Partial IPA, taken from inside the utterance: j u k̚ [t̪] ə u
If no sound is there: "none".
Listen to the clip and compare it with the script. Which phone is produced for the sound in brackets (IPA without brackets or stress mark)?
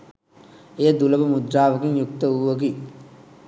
t̪